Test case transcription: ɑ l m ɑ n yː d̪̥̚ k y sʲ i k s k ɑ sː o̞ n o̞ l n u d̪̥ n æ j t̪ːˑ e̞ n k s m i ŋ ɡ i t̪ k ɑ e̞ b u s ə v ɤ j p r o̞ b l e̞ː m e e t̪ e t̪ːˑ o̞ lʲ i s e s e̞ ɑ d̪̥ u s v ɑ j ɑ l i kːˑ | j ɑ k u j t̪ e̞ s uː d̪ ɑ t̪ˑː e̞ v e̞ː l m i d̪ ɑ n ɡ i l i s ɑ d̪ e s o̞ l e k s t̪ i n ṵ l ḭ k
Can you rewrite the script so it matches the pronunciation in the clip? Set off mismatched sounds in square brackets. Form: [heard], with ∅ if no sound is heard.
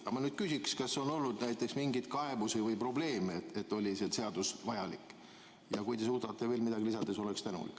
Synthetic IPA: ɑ [∅] m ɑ n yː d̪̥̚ k y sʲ i k s k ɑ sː o̞ n o̞ l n u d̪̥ n æ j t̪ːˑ e̞ [∅] k s m i ŋ ɡ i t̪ k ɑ e̞ b u s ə v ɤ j p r o̞ b l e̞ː m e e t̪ e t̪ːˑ o̞ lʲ i s e s e̞ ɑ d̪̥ u s v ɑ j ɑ l i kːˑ | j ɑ k u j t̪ e̞ s uː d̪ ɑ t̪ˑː e̞ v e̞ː l m i d̪ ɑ [∅] ɡ i l i s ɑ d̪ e s o̞ l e k s t̪ [æ] n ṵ l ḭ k